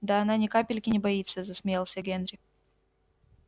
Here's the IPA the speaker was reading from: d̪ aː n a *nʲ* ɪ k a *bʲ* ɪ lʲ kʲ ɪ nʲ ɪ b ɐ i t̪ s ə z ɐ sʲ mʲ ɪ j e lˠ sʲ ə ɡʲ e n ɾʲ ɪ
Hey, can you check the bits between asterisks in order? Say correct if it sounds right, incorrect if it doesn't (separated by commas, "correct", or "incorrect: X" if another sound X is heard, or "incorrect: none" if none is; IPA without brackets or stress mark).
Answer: correct, incorrect: pʲ